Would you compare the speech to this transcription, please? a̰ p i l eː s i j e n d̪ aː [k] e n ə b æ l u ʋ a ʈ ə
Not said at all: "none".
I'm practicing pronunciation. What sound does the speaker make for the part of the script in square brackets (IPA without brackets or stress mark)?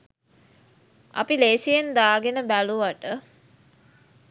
ɡ